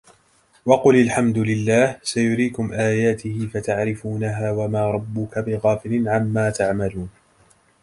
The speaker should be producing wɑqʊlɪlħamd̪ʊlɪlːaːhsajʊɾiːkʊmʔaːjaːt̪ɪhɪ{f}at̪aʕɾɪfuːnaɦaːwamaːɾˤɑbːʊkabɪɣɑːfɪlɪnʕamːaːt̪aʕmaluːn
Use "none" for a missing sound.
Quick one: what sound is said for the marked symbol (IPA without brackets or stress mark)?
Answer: f